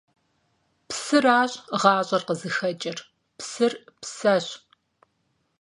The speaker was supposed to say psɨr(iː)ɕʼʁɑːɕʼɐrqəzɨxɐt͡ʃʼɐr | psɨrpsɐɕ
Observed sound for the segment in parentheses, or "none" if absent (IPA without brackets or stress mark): aː